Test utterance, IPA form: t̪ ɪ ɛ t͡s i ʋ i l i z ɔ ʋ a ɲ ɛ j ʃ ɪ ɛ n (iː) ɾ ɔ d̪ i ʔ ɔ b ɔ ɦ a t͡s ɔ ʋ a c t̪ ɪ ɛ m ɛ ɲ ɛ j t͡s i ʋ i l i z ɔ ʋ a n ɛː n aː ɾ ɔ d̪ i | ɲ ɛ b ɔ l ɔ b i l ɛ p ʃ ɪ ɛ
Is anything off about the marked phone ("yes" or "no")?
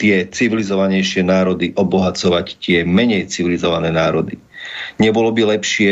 yes